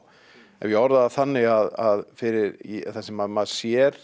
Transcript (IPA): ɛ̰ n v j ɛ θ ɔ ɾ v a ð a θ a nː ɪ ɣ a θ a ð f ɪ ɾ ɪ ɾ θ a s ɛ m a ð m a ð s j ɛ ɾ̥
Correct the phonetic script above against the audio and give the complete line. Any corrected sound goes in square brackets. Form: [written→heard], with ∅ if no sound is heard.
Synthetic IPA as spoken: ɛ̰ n v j ɛ [θ→∅] ɔ ɾ [v→ð] a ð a θ a nː ɪ ɣ a [θ→ð] a ð f ɪ ɾ ɪ ɾ θ a s ɛ m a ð m a ð s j ɛ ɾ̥